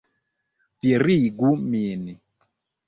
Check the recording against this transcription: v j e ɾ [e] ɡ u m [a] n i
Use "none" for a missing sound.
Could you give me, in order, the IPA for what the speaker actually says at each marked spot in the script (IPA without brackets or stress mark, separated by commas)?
i, i